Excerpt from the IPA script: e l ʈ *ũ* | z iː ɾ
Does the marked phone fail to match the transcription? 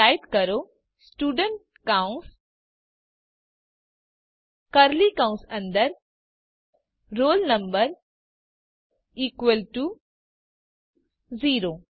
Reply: yes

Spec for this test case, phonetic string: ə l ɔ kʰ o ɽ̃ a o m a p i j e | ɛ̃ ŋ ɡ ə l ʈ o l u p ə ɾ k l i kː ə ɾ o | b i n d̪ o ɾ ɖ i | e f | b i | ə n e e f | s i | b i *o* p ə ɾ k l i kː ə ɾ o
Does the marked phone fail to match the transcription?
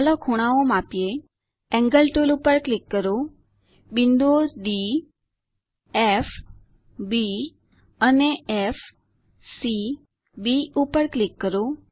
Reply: yes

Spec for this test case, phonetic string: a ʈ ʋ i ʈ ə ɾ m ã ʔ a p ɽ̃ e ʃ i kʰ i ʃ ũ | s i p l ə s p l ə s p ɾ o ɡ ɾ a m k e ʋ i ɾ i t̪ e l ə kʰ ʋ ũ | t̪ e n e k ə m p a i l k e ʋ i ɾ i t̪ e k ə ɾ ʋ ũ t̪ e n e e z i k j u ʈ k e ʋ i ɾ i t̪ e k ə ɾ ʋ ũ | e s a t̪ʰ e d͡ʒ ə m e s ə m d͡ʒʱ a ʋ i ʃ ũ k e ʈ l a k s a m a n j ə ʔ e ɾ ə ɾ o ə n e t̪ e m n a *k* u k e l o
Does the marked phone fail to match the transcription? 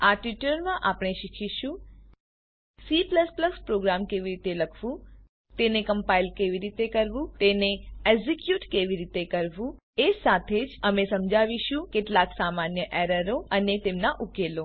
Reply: yes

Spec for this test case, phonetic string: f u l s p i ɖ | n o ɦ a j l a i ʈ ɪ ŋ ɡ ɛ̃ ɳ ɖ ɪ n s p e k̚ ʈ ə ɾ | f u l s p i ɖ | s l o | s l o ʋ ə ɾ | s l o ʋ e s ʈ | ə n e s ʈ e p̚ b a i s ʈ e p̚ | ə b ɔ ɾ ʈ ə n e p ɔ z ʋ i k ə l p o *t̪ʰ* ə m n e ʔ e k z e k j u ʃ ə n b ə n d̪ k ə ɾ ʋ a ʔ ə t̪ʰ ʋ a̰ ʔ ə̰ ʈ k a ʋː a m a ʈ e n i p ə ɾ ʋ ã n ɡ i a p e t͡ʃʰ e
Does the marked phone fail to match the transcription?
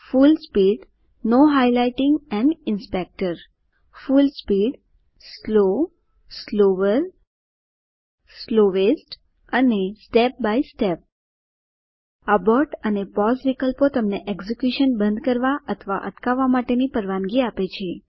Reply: yes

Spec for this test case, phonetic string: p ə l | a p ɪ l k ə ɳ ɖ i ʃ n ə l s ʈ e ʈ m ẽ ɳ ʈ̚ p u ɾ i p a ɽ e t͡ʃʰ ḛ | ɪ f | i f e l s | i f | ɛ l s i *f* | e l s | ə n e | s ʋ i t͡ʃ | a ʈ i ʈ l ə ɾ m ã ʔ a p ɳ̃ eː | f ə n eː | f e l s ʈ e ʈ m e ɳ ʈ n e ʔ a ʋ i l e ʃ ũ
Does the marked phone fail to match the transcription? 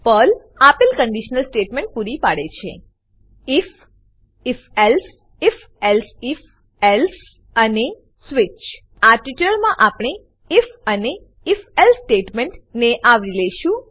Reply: no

